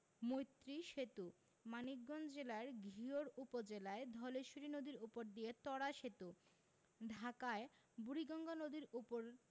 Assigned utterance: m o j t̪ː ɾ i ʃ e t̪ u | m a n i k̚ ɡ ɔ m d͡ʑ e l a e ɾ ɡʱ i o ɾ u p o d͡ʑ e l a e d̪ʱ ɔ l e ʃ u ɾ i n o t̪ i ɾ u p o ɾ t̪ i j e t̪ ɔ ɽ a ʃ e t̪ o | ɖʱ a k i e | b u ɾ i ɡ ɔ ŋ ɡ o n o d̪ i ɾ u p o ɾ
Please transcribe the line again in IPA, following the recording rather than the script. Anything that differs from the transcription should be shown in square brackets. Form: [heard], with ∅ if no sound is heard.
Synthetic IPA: m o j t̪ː ɾ i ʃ e t̪ u | m a n i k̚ ɡ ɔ [n] d͡ʑ e l a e ɾ ɡʱ i o ɾ u p o d͡ʑ e l a e d̪ʱ ɔ l e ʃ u ɾ i n o [d̪] i ɾ u p o ɾ [d̪] i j e t̪ ɔ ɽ a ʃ e t̪ [u] | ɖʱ a k [a] e | b u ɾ i ɡ ɔ ŋ ɡ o n o d̪ i ɾ u p o ɾ